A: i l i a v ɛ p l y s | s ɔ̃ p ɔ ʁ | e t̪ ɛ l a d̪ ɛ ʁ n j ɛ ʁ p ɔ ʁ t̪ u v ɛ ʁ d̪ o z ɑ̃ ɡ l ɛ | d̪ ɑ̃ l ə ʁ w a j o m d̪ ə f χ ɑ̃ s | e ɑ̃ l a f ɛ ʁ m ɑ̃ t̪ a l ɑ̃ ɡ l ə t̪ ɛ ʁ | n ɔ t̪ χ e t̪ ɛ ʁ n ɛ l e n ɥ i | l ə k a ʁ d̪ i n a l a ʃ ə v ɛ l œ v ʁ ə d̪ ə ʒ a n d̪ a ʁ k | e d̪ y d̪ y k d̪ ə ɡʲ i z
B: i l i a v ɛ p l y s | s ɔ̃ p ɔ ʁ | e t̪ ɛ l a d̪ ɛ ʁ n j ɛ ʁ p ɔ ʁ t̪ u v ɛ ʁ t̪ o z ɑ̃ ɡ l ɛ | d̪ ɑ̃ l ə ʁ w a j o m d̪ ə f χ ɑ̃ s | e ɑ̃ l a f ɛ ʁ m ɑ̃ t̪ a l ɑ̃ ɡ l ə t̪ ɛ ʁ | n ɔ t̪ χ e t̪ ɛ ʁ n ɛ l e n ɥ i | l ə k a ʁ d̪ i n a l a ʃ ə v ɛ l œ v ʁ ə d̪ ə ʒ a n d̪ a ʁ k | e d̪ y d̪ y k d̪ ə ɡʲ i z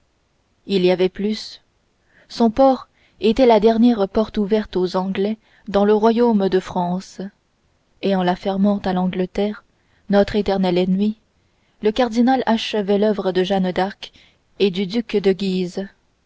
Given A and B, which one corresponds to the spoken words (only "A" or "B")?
B